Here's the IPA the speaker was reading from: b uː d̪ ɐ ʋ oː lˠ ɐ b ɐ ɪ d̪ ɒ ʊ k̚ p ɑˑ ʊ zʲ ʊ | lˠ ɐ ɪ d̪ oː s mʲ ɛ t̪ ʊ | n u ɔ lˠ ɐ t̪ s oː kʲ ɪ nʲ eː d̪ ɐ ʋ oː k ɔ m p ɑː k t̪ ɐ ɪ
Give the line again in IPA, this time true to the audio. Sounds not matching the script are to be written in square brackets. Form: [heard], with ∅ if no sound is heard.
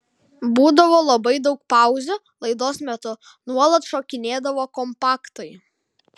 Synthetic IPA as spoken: b uː d̪ ɐ ʋ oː lˠ ɐ b ɐ ɪ d̪ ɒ ʊ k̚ p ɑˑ ʊ zʲ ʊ | lˠ ɐ ɪ d̪ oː s mʲ ɛ t̪ ʊ | n u ɔ lˠ ɐ t̪ [ʃ] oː kʲ ɪ nʲ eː d̪ ɐ ʋ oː k ɔ m p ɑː k t̪ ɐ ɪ